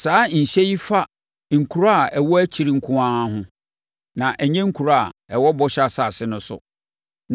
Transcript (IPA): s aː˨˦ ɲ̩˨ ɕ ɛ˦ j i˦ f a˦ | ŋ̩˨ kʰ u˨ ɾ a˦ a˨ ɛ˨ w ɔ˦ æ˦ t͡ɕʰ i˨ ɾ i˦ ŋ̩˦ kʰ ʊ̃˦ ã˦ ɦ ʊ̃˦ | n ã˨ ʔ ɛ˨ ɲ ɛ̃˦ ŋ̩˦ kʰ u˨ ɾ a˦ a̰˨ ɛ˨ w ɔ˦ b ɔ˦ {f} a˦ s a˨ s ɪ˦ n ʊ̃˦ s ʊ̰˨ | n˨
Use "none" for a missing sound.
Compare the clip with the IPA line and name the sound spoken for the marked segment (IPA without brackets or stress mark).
ɕ